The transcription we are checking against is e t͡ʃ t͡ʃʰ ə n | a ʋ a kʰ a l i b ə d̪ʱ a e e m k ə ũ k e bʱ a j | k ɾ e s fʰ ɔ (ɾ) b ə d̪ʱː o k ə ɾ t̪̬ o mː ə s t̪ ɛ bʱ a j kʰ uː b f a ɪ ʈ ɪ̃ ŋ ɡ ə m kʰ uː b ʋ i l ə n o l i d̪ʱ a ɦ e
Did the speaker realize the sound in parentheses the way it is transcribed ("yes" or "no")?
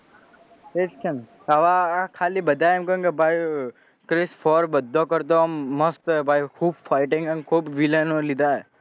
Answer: yes